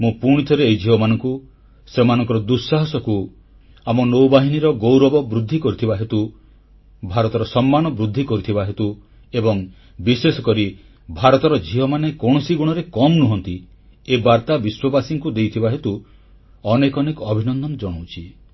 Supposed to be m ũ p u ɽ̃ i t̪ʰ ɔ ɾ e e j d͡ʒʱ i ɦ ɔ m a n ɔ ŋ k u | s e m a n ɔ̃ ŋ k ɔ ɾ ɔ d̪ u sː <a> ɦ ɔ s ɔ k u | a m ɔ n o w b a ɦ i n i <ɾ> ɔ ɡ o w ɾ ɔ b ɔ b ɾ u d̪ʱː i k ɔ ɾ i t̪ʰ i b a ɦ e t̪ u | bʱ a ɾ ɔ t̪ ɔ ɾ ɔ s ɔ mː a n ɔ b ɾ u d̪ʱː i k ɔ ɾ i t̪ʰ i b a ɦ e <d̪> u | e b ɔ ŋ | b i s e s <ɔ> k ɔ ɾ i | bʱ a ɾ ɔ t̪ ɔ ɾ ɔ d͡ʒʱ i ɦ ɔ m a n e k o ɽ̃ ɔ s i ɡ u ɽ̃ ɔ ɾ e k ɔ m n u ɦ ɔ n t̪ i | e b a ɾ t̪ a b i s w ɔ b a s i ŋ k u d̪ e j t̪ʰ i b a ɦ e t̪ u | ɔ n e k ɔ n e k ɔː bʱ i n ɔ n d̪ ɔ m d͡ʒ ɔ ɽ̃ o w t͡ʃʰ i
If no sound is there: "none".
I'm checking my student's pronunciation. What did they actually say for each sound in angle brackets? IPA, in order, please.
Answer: a, ɾ, t̪, ɔ

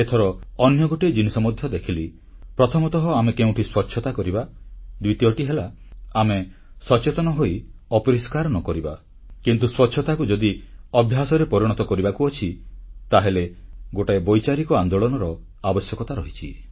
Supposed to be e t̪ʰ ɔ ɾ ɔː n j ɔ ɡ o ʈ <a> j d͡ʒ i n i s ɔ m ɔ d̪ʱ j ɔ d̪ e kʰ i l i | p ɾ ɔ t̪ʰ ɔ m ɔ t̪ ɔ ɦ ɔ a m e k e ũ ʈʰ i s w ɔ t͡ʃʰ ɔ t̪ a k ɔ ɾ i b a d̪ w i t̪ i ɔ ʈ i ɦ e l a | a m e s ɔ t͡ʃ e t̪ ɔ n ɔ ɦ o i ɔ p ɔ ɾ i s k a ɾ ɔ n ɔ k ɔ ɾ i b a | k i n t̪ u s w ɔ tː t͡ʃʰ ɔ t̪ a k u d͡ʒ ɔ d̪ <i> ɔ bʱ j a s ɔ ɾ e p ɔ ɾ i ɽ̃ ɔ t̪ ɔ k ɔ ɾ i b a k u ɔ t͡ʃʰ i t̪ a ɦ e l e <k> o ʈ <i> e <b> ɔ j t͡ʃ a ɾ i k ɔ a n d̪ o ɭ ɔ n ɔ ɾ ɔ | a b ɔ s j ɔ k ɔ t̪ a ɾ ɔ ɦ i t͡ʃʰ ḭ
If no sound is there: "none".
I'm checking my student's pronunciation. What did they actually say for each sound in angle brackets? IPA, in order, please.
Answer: e, i, ɡ, a, b

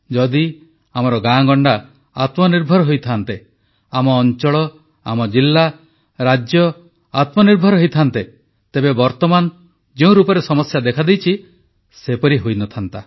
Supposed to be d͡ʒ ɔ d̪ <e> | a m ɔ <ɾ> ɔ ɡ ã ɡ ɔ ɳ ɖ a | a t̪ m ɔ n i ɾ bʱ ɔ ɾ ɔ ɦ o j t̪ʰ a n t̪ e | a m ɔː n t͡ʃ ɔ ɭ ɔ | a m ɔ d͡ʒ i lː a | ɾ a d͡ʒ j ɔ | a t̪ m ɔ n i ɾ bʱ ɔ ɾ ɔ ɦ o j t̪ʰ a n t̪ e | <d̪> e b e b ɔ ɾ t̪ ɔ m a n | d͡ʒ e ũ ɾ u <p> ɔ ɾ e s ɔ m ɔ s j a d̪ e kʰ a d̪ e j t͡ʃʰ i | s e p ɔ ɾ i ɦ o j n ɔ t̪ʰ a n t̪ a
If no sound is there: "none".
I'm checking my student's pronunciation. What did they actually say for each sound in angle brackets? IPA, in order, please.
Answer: i, ɾ, t̪, p

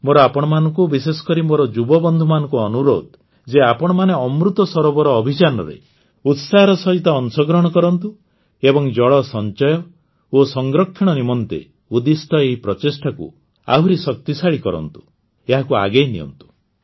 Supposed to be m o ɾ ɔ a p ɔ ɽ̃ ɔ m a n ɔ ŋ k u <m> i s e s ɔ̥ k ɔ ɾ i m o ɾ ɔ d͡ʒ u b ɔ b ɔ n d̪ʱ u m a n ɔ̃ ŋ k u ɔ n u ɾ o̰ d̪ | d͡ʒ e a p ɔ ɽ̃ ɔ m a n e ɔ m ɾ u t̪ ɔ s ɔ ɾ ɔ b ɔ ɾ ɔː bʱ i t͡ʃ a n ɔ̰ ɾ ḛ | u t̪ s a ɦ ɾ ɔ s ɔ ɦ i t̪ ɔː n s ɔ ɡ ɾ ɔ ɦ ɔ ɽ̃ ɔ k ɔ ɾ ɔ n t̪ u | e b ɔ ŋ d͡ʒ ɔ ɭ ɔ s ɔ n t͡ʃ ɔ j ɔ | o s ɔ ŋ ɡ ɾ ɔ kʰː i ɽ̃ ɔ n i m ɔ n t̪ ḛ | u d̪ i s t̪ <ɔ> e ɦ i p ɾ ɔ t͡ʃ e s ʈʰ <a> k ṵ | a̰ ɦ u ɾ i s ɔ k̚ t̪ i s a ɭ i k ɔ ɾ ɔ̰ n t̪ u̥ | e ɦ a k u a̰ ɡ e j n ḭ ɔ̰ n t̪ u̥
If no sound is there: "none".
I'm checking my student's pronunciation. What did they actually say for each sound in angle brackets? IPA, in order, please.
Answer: b, ɔ, a

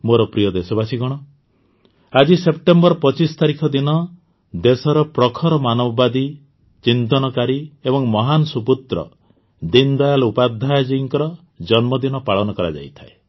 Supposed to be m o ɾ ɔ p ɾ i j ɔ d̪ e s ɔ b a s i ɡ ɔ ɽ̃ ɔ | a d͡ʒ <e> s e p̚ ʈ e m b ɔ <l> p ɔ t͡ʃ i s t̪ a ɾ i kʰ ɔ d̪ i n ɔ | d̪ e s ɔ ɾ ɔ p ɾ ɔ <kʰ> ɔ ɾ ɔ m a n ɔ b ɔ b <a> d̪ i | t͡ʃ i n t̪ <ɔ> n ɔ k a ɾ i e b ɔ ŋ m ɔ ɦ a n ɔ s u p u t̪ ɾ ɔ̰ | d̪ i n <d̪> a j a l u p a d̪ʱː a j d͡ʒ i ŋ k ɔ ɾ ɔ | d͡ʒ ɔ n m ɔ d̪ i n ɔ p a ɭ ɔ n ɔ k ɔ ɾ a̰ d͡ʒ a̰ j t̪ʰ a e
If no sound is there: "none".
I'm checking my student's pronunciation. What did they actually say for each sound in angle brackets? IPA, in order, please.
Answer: i, ɾ, kʰ, a, ɔ, d̪

